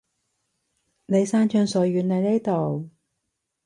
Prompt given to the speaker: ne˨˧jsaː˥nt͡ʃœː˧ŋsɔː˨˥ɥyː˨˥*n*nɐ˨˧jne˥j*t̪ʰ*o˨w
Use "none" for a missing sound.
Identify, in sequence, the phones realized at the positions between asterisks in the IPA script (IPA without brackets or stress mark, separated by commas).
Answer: n, t̪